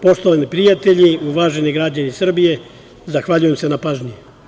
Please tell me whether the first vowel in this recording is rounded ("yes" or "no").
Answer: yes